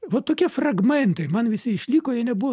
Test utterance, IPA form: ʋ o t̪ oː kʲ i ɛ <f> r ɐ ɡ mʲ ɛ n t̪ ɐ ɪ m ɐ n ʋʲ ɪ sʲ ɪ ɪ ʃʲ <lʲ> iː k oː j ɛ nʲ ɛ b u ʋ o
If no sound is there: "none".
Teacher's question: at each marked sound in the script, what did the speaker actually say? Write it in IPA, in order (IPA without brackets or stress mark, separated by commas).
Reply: f, lʲ